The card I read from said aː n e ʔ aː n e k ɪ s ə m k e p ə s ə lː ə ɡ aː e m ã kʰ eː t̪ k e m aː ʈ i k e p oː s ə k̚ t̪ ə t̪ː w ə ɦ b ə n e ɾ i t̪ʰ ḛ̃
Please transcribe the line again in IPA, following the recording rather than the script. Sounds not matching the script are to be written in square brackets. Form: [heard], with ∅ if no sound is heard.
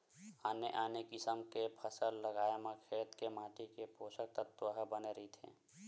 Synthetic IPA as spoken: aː n e ʔ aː n e k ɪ s ə m k e [pʰ] ə s ə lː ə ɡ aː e m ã kʰ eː t̪ k e m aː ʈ i k e p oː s ə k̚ t̪ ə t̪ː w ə ɦ b ə n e ɾ i t̪ʰ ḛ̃